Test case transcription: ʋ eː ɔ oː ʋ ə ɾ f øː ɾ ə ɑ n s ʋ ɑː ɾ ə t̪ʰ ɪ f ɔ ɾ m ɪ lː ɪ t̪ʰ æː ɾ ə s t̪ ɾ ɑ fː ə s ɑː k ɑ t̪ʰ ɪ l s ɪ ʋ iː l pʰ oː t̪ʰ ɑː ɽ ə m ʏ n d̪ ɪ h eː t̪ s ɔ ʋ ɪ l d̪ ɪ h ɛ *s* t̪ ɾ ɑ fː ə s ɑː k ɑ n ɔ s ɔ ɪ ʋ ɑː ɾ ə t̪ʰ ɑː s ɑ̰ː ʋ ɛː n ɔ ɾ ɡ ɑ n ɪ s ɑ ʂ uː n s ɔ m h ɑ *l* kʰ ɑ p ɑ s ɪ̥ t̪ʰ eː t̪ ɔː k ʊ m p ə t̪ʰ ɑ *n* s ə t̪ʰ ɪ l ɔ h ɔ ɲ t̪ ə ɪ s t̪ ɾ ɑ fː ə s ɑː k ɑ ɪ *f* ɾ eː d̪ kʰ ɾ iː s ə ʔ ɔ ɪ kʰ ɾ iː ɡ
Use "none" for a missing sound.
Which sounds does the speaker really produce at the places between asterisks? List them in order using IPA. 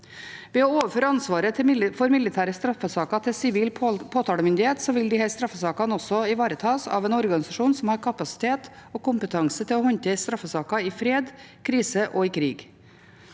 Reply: s, ɾ, ŋ, f

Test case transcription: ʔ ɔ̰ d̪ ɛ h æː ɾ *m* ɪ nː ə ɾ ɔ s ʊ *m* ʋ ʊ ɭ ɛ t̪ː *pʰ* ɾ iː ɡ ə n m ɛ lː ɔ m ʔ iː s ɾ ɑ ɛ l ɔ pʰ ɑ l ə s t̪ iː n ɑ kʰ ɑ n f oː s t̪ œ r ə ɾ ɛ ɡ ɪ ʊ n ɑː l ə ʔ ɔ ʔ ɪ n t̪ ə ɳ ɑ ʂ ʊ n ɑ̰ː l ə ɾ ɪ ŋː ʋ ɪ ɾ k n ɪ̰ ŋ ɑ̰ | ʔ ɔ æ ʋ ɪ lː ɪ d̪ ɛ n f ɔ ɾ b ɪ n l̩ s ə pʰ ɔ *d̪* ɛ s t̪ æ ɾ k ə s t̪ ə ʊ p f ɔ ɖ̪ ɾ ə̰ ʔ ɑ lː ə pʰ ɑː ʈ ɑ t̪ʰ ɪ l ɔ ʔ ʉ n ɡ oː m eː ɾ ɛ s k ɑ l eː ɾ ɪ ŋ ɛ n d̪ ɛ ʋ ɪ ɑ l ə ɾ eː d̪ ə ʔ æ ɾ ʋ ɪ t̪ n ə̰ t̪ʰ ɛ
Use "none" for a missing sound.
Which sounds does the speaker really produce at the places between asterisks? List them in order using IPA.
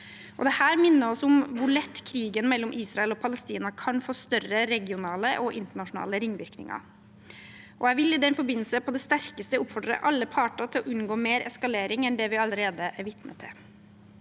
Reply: m, m, kʰ, d̪

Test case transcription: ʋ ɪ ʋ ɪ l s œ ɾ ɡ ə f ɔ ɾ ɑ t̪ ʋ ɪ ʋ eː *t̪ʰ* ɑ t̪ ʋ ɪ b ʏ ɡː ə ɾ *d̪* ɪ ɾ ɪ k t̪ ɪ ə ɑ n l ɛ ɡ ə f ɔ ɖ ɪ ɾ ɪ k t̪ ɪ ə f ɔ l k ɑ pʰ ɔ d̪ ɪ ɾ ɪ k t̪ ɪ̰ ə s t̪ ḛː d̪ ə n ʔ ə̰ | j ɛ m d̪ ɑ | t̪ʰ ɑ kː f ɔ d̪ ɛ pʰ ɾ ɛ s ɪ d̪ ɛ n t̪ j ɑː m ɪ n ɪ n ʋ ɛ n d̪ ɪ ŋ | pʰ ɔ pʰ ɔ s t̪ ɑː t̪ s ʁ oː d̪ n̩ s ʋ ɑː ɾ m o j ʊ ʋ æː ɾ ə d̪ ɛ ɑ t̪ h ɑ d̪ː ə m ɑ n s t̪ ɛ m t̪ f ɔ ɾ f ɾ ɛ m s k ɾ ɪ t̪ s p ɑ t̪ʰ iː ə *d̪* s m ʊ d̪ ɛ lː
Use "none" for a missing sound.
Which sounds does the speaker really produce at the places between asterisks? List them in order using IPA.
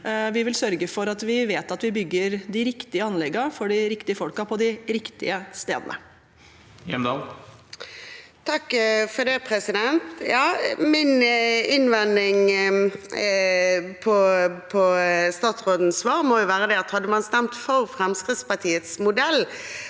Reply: t̪, d̪, t̪

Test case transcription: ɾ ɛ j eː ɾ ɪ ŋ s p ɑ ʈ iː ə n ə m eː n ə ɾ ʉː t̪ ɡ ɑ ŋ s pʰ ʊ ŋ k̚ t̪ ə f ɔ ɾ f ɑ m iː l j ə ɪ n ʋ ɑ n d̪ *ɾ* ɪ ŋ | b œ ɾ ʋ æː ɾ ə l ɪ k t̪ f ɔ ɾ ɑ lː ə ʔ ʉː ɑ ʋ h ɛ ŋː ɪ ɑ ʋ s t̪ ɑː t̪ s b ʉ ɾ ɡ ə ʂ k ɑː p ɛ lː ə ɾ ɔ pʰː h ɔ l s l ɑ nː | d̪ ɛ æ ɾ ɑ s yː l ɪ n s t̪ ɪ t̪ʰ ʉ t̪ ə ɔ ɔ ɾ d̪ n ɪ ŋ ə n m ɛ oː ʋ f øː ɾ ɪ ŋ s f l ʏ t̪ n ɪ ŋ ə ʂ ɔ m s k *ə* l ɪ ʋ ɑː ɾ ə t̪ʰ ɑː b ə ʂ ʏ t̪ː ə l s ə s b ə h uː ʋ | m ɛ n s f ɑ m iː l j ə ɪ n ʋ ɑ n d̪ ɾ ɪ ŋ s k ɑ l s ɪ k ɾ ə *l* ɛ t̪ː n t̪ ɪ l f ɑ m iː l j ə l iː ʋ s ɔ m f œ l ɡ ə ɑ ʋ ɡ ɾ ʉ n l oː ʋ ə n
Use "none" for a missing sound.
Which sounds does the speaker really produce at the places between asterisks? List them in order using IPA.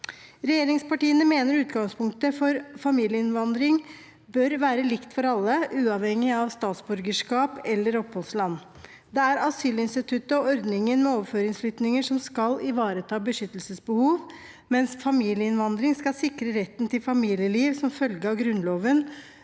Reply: ɾ, ɑ, ɾ

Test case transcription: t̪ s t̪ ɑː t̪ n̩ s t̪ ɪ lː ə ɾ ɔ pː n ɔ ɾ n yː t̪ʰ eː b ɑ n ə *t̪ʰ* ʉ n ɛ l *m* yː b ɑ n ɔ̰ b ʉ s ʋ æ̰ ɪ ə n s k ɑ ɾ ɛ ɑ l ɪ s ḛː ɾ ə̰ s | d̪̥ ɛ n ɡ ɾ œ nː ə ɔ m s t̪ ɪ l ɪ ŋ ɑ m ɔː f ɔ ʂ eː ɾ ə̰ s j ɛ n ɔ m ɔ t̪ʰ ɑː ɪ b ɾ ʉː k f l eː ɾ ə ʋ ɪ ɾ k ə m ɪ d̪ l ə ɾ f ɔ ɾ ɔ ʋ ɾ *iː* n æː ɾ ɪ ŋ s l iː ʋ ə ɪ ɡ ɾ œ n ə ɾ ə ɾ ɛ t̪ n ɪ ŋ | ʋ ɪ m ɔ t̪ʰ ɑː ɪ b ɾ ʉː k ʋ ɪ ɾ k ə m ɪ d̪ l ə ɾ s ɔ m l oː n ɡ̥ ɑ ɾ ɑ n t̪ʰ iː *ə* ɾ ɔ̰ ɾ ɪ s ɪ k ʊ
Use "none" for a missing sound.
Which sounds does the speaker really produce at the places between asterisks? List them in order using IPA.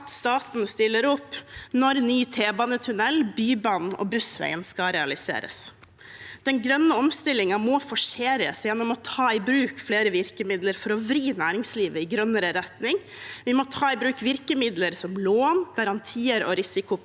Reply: t̪ʰ, b, iː, ə

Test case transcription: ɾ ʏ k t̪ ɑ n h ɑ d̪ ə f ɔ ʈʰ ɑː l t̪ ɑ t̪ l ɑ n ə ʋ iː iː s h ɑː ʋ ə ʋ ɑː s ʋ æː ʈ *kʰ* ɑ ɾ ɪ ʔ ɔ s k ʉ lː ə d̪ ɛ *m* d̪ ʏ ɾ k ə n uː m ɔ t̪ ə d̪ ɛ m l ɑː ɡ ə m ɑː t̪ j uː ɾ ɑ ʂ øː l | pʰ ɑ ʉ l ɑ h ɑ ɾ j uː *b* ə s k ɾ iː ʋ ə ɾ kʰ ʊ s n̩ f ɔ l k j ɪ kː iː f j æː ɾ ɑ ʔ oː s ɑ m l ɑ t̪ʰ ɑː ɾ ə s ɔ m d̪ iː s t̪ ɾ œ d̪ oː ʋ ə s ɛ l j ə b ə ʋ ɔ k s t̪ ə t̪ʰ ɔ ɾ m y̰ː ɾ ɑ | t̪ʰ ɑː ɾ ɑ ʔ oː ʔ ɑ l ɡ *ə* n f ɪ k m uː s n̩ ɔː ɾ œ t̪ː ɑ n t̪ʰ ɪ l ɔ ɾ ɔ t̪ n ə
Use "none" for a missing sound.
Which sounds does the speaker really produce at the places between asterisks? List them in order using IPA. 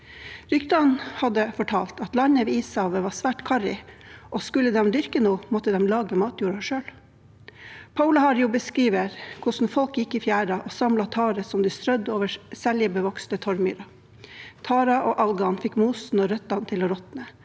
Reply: kʰ, m, b, ɑ

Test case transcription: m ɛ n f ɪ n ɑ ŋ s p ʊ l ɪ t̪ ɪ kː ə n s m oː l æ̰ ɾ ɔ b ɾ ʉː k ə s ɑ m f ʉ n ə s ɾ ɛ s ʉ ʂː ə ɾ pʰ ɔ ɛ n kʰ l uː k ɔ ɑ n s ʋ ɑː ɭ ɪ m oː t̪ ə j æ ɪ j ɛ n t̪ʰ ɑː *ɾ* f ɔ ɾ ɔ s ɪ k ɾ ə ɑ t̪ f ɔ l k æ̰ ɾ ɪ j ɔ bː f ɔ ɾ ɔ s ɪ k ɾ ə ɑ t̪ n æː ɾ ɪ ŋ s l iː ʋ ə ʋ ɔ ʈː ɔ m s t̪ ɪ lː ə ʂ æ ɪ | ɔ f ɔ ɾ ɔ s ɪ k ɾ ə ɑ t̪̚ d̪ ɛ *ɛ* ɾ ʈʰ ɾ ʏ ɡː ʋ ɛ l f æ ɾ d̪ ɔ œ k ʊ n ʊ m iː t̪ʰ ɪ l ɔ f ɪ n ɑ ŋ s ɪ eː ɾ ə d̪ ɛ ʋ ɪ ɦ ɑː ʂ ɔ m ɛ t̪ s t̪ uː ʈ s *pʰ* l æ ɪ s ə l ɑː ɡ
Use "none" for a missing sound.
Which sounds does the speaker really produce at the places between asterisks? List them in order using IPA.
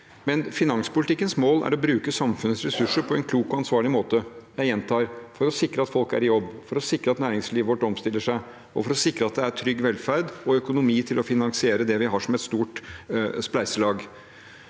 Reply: ɾ, æ, p

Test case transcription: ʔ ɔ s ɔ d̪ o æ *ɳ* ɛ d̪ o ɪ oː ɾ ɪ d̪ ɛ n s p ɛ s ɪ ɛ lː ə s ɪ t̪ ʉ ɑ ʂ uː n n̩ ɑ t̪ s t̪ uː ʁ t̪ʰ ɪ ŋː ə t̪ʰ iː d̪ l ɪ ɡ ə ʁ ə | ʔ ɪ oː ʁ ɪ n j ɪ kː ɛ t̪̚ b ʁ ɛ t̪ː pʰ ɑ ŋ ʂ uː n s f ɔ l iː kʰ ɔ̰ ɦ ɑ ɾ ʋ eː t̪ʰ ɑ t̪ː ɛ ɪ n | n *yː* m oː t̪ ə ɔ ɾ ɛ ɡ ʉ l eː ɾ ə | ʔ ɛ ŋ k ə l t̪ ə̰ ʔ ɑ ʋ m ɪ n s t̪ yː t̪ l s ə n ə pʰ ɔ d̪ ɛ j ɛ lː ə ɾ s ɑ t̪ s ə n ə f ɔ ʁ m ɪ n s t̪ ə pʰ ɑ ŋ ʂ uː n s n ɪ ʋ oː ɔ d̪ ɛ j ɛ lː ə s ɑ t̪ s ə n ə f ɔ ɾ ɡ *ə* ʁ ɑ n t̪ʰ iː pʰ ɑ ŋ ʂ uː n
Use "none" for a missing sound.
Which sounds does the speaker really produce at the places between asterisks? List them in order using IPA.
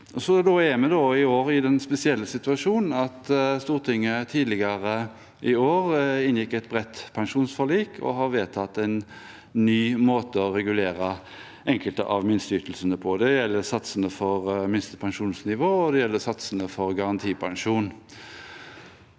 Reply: m, yː, ɑ

